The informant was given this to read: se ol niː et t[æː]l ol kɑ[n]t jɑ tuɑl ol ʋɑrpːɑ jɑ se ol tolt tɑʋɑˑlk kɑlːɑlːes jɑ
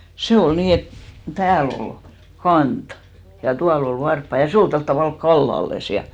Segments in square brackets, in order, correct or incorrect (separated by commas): correct, correct